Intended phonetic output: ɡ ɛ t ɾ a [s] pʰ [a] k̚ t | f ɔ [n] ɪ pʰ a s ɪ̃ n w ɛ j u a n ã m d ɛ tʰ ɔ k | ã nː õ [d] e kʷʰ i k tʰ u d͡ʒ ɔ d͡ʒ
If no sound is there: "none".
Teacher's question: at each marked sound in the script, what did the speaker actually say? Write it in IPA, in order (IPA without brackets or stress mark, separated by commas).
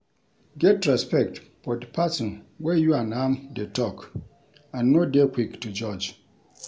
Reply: s, ɛ, d, d